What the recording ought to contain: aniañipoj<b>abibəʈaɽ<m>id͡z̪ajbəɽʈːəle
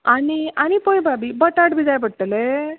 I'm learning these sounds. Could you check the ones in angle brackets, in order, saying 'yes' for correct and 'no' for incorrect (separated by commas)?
yes, no